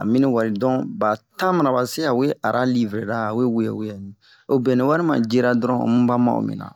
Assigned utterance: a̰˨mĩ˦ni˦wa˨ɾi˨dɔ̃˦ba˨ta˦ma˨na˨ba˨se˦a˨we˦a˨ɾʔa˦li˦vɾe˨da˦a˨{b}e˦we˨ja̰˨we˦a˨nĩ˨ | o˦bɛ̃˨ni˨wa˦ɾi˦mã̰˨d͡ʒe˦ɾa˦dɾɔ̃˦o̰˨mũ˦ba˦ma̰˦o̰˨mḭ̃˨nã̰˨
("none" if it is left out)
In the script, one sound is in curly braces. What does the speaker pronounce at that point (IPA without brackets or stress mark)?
w